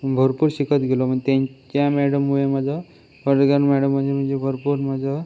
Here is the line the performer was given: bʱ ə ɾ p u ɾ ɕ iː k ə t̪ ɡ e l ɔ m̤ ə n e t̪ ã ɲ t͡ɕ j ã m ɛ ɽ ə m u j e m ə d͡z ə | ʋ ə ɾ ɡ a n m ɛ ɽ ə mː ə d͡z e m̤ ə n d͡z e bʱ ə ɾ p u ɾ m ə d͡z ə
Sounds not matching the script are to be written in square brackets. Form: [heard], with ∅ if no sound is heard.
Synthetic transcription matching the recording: bʱ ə ɾ p u ɾ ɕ [i] k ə t̪ ɡ e l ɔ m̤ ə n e t̪ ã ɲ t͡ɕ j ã m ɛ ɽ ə m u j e m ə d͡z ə | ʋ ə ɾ ɡ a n m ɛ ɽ ə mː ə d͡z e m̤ ə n d͡z e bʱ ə ɾ p u ɾ m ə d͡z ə

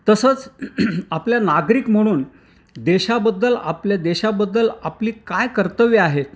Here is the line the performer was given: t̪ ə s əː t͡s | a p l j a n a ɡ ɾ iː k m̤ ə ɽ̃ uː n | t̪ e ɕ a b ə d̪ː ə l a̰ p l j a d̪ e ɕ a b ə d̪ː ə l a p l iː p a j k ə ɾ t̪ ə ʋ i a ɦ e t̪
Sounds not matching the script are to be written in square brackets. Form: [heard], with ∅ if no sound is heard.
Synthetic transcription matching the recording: t̪ ə s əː t͡s | a p l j a n a ɡ ɾ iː k m̤ ə ɽ̃ uː n | [d̪] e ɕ a b ə d̪ː ə l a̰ p l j a d̪ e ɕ a b ə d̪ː ə l a p l iː [k] a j k ə ɾ t̪ ə ʋ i a ɦ e t̪

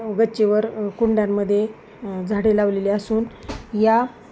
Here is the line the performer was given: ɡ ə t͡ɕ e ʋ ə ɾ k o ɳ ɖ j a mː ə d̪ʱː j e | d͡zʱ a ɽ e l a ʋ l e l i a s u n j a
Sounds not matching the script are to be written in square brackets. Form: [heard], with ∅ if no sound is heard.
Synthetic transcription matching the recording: ɡ ə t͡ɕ e ʋ ə ɾ k [u] ɳ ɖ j a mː ə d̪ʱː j e | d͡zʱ a ɽ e l a ʋ l e l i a s [uː] n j a

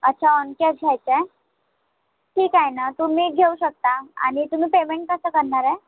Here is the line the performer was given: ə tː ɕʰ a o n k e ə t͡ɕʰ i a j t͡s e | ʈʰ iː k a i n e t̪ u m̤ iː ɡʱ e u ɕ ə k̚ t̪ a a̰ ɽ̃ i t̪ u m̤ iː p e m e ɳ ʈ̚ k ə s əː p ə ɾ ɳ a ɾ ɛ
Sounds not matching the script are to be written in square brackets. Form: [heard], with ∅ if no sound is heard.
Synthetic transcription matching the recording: ə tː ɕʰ a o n k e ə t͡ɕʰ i a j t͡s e | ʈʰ iː k a [j] n [a] t̪ u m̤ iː ɡʱ e u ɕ ə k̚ t̪ a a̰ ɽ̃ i t̪ u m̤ iː p e m e ɳ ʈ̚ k ə s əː [k] ə ɾ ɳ a ɾ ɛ

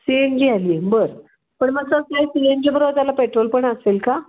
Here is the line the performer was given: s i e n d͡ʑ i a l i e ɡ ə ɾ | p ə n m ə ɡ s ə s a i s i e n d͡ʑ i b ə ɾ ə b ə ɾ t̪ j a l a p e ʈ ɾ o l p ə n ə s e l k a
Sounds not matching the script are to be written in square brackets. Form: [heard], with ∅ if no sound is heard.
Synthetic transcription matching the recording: s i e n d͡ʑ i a l i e [b] ə ɾ | p ə [ɳ] m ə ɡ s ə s a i s i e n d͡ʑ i b ə ɾ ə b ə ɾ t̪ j a l a p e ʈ ɾ o l p ə [ɳ] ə s e l k a

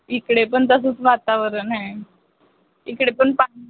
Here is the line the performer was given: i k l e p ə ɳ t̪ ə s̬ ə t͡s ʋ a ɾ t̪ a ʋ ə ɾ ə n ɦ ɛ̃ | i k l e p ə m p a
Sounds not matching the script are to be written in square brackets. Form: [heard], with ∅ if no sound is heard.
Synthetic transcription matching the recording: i k [ɽ] e p ə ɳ t̪ ə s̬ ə t͡s ʋ a [∅] t̪ a ʋ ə ɾ ə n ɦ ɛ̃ | i k [ɽ] e p ə [ɳ] p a

